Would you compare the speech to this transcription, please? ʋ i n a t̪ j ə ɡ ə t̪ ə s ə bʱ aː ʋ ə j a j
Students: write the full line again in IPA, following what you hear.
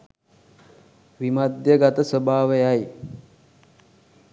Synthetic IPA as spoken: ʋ i m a d̪ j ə ɡ a t̪ ə s ə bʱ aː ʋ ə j a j

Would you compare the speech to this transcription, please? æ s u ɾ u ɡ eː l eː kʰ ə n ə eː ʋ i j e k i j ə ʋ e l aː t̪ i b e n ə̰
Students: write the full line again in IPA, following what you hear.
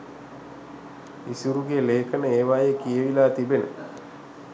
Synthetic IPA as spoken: i s u ɾ u ɡ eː l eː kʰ ə n ə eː ʋ a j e k i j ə ʋ i l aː t̪ i b e n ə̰

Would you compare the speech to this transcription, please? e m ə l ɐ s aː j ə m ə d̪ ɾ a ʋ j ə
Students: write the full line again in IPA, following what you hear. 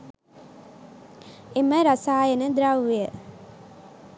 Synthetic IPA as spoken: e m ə ɾ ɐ s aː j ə n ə d̪ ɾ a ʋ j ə

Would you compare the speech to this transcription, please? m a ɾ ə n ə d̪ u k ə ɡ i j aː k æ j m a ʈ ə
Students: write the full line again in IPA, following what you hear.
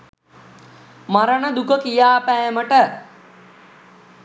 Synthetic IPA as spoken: m a ɾ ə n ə d̪ u k ə k i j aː p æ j m ə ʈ ə

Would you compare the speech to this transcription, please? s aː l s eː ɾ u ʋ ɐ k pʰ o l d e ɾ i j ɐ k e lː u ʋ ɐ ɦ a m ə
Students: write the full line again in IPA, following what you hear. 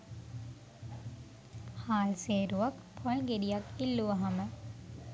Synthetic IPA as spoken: h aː l s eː ɾ u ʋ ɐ k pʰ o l ɡ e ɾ i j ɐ k i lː u ʋ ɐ ɦ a m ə

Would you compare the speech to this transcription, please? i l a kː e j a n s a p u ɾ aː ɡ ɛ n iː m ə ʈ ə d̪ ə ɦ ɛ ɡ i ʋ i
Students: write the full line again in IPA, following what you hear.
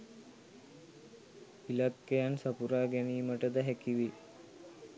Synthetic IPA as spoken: i l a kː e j a n s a p u ɾ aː ɡ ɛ n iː m ə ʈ ə d̪ ə ɦ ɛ k i ʋ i

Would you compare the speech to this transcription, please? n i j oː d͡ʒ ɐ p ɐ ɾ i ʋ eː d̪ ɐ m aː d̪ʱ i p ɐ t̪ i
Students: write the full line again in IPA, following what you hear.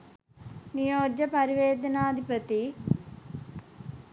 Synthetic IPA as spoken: n i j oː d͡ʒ ɐ p ɐ ɾ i ʋ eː d̪ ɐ n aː d̪ʱ i p ɐ t̪ i

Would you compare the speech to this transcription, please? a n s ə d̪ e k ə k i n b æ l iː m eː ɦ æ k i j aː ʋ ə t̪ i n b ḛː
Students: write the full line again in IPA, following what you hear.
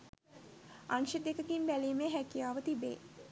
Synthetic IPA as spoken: a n ʃ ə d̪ e k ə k i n b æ l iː m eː ɦ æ k i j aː ʋ ə t̪ i b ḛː

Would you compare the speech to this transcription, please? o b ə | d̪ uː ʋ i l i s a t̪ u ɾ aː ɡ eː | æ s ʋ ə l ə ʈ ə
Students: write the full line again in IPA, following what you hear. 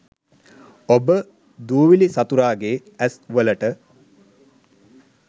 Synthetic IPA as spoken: o b ə | d̪ uː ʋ i l i s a t̪ u ɾ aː ɡ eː | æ s ʋ ə l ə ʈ ə

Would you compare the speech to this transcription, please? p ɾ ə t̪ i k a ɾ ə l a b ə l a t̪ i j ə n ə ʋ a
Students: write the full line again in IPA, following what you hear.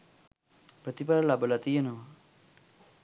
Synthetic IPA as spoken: p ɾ ə t̪ i p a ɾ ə l a b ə l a t̪ i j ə n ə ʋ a

